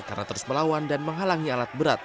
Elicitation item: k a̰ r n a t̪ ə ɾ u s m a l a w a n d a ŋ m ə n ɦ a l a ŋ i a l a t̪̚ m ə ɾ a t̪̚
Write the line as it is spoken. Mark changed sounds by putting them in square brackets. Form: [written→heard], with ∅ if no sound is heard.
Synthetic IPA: k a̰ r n a t̪ ə ɾ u s m [a→ə] l a w a n d a [ŋ→n] m ə [n→ŋ] ɦ a l a ŋ i a l a t̪̚ [m→b] ə ɾ a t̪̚